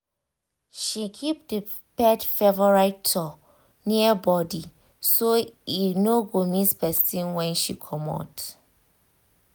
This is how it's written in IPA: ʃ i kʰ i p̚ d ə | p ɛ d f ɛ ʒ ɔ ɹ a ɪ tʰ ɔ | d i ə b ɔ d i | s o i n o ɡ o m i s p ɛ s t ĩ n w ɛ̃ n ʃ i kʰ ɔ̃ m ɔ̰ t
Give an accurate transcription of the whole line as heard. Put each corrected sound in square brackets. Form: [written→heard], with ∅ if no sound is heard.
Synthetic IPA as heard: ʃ i kʰ i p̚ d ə | p ɛ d f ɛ [ʒ→v] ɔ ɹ a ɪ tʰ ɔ | [d→n] i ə b ɔ d i | s o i n o ɡ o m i s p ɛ s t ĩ n w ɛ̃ n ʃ i kʰ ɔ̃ m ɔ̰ t